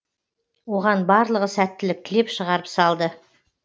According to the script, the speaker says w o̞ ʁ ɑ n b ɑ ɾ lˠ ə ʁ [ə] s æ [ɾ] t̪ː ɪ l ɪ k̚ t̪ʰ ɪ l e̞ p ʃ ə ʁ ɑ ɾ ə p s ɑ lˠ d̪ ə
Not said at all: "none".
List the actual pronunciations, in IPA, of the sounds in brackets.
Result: ə, none

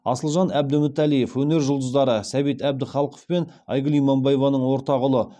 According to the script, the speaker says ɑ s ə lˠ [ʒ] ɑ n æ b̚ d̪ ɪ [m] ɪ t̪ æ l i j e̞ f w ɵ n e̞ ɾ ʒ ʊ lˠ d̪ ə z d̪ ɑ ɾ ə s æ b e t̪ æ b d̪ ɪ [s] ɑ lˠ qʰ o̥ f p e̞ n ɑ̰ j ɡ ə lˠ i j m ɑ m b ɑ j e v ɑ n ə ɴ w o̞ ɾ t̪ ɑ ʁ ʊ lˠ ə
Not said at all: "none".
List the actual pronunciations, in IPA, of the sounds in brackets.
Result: ʒ, m, χ

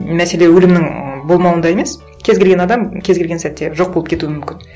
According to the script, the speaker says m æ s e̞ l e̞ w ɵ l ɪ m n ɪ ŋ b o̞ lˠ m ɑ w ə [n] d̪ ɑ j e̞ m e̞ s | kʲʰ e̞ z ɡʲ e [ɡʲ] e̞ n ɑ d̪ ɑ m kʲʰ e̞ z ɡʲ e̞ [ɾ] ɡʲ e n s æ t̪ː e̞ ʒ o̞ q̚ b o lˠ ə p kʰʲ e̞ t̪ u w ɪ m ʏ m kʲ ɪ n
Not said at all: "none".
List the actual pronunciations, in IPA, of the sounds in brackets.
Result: n, ɡʲ, l

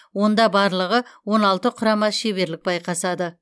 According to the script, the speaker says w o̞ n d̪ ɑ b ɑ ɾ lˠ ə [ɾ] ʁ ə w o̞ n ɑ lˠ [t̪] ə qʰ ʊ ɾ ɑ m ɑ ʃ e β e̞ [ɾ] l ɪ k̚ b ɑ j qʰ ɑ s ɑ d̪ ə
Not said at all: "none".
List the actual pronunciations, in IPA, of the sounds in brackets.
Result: none, t̪, ɾ

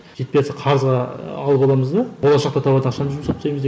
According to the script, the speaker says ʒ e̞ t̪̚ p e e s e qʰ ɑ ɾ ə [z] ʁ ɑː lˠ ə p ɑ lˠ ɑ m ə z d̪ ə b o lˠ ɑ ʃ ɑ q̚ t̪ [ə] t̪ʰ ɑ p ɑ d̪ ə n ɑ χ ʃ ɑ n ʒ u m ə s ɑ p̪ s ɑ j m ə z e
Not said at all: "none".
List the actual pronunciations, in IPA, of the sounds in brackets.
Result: z, ɑ

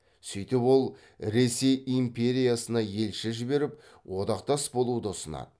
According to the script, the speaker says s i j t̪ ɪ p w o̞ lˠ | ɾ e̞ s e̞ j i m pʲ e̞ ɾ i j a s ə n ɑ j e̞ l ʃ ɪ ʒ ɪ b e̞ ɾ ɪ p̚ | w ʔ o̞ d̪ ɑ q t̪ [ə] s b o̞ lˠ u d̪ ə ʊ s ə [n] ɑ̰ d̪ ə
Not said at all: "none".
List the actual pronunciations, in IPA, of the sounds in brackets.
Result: ɑ, n

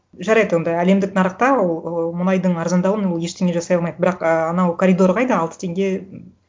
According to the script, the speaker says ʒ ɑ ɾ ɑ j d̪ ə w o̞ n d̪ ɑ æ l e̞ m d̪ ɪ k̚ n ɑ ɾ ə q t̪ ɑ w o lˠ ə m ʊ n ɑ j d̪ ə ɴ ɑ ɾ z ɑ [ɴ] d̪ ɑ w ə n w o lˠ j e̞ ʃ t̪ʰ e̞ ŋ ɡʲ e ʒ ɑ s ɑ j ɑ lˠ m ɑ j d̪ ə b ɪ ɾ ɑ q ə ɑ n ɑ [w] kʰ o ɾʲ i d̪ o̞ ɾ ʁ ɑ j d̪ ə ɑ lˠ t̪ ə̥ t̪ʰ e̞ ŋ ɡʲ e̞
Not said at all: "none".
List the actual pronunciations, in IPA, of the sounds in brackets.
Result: n, w

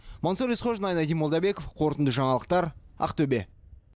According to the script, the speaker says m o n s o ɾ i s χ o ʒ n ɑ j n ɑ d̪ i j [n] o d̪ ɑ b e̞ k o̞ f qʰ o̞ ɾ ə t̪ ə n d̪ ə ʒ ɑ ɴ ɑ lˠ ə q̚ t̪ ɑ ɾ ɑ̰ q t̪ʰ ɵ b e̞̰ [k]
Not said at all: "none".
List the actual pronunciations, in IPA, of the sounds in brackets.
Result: m, none

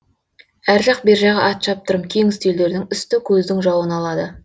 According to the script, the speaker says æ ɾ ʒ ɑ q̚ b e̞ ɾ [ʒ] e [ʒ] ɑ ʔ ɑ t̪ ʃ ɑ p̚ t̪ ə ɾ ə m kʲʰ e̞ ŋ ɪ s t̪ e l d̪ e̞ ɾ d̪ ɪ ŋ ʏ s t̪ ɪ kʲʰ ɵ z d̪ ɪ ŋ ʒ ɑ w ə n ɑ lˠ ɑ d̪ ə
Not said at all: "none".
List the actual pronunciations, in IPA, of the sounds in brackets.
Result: ʒ, ʁ

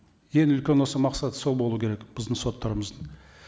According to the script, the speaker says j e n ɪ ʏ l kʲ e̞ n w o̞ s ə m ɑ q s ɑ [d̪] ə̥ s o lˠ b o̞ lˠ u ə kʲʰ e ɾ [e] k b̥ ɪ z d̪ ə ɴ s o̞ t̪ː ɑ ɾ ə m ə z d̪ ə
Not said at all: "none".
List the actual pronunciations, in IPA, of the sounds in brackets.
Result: t̪, e

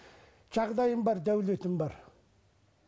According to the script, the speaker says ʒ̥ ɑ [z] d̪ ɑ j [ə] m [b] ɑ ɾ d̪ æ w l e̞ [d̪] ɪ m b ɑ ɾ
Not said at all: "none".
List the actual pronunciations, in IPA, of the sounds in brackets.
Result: ʁ, ə, b, t̪

